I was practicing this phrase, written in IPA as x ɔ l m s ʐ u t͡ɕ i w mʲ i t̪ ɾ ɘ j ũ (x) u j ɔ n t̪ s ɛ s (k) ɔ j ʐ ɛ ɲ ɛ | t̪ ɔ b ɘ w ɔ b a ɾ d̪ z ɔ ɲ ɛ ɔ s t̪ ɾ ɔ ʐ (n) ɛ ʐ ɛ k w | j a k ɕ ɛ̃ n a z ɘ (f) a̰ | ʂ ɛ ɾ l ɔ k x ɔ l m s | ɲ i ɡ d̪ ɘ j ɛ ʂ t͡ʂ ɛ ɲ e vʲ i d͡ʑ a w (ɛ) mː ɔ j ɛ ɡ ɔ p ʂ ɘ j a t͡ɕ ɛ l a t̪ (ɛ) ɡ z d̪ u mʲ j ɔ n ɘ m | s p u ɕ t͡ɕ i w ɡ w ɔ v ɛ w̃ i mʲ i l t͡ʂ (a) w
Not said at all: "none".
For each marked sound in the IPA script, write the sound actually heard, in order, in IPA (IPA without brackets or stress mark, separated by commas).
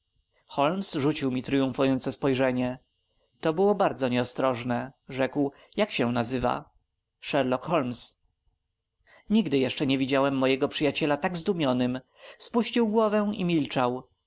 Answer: f, p, n, v, ɛ, a, a